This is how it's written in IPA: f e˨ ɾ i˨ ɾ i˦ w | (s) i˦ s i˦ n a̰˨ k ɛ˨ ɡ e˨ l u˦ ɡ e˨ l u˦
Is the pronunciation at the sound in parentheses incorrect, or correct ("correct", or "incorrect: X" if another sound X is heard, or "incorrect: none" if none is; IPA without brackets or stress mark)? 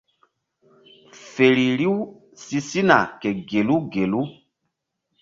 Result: correct